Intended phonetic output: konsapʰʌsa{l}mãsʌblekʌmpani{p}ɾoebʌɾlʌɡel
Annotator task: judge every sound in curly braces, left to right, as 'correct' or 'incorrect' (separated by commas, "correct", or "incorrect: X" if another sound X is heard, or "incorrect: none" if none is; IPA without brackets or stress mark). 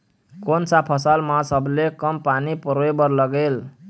correct, correct